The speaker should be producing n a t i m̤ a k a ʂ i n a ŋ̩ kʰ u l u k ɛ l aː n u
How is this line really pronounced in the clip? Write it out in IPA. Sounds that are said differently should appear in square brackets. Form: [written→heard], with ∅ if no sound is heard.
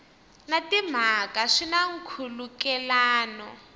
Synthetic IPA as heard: n a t i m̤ a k a ʂ i n a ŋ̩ kʰ u l u k ɛ l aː n [u→ɔ]